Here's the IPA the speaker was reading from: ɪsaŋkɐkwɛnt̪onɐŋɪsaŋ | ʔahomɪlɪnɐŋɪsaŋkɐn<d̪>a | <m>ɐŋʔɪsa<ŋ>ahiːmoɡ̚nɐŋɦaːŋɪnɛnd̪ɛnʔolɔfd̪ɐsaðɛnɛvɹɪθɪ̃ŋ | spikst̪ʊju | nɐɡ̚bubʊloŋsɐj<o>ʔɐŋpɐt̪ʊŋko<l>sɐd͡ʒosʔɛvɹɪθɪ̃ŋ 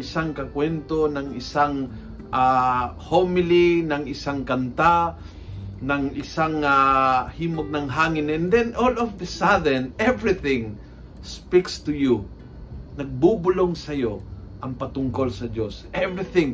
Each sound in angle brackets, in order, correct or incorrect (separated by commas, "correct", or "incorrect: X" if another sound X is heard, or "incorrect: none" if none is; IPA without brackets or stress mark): incorrect: t̪, incorrect: n, correct, correct, correct